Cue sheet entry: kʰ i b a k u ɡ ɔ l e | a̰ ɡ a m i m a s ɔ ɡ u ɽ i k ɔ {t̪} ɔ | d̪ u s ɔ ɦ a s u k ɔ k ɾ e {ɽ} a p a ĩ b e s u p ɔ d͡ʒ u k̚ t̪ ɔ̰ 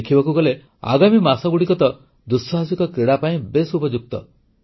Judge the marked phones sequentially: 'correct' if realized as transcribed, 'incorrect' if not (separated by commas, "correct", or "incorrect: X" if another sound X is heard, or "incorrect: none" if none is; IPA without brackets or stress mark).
correct, correct